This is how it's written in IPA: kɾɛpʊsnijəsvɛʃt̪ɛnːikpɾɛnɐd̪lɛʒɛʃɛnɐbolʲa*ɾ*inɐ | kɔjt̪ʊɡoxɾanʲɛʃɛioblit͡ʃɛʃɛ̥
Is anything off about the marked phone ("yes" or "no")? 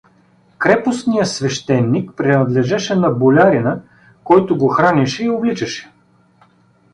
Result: no